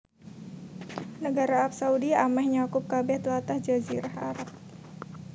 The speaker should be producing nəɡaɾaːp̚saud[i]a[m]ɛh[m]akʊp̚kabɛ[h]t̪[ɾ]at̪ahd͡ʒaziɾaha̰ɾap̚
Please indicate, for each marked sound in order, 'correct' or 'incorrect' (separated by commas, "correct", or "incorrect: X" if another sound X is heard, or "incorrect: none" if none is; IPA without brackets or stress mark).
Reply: correct, correct, incorrect: ɲ, correct, incorrect: l